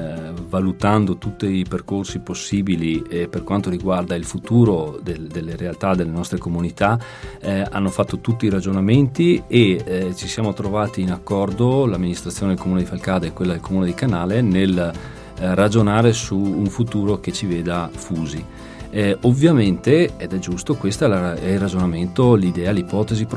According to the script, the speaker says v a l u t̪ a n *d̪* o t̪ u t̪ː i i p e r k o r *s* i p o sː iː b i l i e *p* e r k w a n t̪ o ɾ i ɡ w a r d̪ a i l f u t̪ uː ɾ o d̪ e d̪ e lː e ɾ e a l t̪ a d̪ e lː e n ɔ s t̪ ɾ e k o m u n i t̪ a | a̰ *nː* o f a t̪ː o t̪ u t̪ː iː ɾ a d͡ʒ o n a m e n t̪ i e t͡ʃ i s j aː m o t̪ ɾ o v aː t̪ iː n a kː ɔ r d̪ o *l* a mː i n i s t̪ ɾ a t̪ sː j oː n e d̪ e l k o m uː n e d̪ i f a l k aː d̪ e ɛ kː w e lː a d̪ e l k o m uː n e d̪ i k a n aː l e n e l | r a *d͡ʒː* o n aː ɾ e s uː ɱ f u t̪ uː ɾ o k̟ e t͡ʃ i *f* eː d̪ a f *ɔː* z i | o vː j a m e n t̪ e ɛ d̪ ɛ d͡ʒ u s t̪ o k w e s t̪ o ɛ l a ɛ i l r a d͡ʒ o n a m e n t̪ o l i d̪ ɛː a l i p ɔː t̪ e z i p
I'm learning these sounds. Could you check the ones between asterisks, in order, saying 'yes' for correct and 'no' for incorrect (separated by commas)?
yes, yes, yes, yes, yes, no, no, no